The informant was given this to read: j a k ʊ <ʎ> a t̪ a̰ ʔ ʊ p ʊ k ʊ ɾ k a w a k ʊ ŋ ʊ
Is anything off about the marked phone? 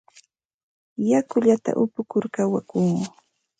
no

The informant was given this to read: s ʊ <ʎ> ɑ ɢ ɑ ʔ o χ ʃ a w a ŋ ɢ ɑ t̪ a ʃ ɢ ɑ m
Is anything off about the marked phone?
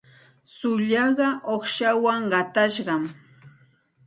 no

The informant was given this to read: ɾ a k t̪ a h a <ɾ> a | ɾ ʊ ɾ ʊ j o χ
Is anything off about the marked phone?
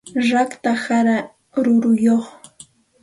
no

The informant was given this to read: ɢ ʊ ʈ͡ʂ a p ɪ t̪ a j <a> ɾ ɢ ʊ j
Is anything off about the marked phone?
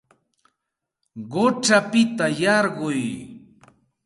yes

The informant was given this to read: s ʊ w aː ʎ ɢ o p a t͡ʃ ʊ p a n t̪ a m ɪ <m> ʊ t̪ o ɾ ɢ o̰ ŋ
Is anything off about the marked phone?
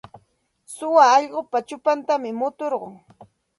no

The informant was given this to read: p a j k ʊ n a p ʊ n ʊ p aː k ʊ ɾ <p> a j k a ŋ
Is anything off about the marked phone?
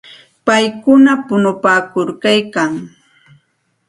yes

